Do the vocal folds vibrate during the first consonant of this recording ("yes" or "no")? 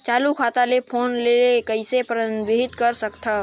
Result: no